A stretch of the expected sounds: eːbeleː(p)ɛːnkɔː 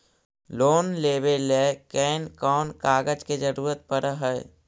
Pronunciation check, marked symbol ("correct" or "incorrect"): incorrect